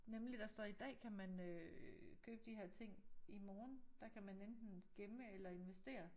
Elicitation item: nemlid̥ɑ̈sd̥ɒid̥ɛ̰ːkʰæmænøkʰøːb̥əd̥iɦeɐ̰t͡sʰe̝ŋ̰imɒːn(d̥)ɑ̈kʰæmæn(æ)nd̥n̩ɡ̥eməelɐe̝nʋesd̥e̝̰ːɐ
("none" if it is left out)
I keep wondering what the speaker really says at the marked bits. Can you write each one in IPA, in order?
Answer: d̥, e

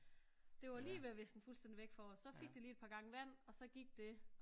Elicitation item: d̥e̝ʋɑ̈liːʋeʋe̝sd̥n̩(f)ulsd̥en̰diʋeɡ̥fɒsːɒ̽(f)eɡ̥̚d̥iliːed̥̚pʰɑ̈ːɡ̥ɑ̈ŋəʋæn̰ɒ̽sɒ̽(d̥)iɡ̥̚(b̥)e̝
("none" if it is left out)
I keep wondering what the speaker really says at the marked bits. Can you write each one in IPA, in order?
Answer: f, f, ɡ̥, d̥

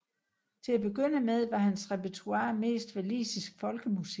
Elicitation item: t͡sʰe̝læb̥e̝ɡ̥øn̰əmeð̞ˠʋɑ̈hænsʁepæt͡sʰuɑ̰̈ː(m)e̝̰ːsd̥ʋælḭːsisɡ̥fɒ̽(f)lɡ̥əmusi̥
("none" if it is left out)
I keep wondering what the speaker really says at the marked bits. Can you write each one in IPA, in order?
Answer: m, none

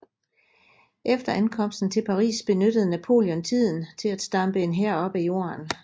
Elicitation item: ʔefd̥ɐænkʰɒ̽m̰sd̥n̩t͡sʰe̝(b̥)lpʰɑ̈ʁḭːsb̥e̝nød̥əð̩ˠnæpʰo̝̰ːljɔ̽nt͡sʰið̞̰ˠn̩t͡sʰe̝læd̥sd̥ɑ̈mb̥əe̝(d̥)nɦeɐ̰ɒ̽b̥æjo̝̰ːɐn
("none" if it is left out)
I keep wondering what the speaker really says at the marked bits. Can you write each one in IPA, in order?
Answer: none, none

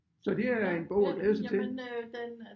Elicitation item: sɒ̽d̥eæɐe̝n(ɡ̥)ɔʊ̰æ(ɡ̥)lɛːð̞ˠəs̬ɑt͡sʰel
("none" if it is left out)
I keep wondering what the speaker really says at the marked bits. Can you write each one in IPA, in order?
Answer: b̥, ɡ̥

